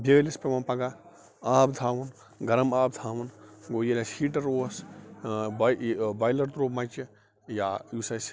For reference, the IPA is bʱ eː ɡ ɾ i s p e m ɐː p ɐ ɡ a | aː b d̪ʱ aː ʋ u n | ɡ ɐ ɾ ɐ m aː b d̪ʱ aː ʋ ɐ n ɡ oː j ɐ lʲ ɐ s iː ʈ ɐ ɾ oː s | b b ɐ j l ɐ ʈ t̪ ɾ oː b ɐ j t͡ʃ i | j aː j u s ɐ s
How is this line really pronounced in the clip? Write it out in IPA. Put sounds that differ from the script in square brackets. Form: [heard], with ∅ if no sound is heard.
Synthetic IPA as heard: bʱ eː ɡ [l] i s p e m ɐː p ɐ ɡ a | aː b d̪ʱ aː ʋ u n | ɡ ɐ ɾ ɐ m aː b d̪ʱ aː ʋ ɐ n ɡ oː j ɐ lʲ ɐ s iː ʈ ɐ ɾ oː s | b b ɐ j l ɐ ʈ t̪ ɾ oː [m] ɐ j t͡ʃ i | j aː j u s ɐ s